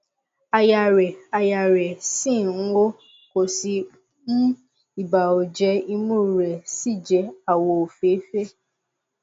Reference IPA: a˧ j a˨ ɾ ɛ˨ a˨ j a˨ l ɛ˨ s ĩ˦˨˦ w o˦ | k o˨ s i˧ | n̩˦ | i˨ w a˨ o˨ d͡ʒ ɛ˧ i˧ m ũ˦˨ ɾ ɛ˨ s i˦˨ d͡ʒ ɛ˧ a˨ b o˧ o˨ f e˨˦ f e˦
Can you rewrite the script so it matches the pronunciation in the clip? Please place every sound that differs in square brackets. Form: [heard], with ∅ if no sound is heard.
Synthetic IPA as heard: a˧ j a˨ ɾ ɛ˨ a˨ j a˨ [ɾ] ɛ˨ s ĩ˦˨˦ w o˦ | k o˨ s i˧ | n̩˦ | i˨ [b] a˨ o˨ d͡ʒ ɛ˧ i˧ m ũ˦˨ ɾ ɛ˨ s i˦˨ d͡ʒ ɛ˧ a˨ [w] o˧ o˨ f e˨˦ f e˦